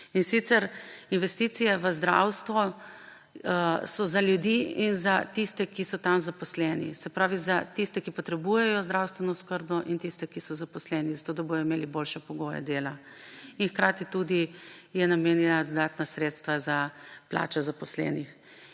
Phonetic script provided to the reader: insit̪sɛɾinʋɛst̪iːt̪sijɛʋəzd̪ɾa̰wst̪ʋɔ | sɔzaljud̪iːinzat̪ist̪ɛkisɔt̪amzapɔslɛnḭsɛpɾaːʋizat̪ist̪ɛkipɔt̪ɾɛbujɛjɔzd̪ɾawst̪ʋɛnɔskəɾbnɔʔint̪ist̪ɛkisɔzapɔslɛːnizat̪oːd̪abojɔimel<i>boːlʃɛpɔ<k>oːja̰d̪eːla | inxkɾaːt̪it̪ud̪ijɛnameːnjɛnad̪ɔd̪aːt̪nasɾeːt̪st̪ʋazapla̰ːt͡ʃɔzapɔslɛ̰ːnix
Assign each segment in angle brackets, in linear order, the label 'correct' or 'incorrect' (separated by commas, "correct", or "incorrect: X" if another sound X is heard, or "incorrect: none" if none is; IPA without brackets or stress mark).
correct, incorrect: ɡ